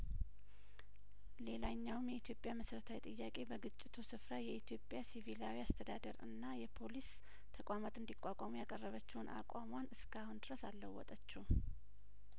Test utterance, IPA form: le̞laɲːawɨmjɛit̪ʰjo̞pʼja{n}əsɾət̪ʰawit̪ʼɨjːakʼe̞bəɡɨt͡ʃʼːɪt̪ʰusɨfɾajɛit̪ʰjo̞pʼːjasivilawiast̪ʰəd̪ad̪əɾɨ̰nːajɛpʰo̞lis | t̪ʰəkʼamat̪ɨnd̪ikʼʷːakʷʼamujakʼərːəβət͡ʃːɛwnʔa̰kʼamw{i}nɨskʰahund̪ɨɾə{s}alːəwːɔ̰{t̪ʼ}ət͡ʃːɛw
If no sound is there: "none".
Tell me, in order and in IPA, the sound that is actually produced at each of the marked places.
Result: m, a, s, t̪ʼ

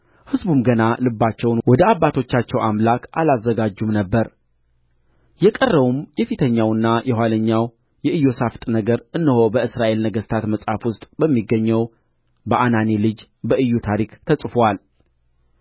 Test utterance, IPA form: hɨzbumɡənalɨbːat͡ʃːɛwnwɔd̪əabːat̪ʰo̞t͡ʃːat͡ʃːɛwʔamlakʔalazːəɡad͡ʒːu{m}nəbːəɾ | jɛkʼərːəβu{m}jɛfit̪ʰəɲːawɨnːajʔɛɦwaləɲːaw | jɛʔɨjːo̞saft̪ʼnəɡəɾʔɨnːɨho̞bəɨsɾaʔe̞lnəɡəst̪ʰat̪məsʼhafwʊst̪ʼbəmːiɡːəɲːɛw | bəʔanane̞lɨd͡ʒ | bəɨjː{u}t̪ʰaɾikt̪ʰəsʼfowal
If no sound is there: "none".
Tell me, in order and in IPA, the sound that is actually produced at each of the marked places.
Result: m, m, u

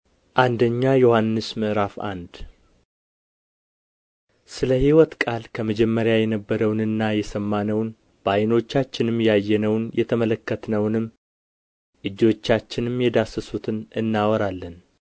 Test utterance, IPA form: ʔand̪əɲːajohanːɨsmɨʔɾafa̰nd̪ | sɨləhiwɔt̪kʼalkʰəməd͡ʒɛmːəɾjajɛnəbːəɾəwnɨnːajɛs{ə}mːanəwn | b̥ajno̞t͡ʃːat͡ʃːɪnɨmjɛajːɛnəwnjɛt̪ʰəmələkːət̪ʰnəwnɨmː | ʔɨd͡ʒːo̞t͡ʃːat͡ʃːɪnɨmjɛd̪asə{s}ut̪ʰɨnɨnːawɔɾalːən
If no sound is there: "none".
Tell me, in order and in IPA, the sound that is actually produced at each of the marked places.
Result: ə, s

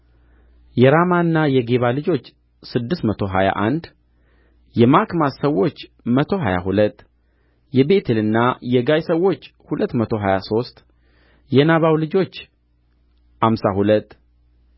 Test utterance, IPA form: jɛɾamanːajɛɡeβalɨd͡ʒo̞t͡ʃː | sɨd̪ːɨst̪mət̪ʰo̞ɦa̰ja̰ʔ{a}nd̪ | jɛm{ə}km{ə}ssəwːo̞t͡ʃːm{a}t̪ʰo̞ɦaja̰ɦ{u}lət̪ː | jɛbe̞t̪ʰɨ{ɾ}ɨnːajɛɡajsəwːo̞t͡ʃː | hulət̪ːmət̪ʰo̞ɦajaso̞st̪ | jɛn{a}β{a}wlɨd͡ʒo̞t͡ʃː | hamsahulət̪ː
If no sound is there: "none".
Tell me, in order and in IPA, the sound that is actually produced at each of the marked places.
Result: a, a, a, ə, u, l, a, a

